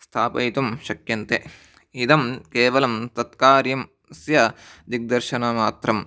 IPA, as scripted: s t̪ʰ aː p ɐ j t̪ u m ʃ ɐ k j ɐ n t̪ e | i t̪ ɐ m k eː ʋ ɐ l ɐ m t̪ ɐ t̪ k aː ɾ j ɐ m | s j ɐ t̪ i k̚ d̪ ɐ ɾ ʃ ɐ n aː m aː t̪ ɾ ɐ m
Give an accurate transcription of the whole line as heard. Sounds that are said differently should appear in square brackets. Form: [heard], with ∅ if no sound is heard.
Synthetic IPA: s t̪ʰ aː p ɐ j t̪ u m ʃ ɐ k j ɐ n t̪ e | i [d̪] ɐ m k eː ʋ ɐ l ɐ m t̪ ɐ t̪ k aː ɾ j ɐ m | s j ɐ [d̪] i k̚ d̪ ɐ ɾ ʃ ɐ n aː m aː t̪ ɾ ɐ m